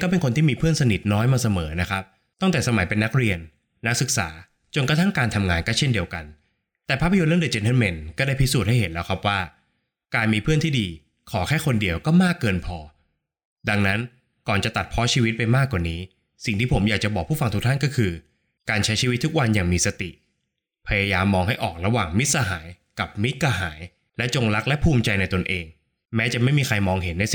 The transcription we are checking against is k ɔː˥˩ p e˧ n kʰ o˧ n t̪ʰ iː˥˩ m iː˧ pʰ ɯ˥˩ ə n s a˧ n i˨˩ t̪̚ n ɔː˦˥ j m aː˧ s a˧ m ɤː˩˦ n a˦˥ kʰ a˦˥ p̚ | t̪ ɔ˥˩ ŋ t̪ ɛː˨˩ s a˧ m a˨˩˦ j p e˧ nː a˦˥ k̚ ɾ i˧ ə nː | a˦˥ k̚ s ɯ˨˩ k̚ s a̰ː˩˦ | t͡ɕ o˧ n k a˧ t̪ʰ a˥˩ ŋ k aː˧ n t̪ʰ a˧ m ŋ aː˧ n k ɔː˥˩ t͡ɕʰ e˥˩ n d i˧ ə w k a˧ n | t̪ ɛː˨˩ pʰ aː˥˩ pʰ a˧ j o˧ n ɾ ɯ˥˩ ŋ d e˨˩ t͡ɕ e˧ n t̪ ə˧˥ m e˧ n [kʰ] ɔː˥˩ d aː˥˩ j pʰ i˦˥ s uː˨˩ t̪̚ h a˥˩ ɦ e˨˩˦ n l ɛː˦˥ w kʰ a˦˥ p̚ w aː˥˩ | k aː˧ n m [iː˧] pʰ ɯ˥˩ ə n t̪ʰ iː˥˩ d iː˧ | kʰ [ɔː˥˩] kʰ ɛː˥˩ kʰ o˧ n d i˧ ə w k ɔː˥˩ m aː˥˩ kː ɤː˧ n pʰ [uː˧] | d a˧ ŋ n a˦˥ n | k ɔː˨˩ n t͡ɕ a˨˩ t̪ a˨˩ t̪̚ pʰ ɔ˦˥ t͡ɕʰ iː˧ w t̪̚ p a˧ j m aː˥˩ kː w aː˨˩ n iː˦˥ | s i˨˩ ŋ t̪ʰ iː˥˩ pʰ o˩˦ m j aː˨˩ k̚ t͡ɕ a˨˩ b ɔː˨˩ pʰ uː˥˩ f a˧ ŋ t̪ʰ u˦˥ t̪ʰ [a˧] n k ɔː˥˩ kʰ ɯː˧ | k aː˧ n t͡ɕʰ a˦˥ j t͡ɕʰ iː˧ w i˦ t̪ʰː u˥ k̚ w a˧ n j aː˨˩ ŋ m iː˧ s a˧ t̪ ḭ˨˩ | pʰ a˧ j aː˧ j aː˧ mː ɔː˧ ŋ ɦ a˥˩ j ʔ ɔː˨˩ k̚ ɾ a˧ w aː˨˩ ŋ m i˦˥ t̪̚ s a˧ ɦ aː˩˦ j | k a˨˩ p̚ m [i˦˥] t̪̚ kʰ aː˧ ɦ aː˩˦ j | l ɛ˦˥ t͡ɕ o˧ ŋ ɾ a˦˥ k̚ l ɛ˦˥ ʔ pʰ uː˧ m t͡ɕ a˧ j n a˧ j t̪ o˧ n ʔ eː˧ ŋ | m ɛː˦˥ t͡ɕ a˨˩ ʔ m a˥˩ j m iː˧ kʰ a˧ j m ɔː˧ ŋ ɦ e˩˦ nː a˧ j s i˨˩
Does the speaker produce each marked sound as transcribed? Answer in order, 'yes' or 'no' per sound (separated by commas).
no, yes, no, no, no, yes